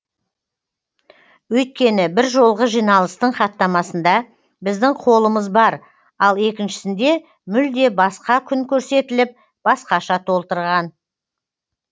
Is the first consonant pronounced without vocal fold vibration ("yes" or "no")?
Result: no